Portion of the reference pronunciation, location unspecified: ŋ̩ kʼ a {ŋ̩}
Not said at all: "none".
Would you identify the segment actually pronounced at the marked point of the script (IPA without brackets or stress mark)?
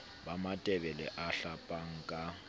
none